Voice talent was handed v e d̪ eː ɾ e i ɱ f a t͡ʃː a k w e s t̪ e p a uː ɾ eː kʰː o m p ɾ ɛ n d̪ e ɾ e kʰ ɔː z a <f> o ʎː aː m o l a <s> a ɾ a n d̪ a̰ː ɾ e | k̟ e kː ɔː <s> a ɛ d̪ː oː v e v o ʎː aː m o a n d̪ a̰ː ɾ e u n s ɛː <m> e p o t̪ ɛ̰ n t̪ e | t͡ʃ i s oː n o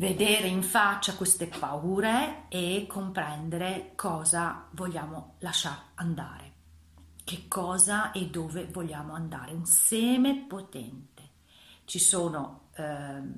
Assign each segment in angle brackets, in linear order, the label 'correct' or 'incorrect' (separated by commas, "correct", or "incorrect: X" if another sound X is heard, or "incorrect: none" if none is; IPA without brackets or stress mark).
incorrect: v, incorrect: ʃ, incorrect: z, correct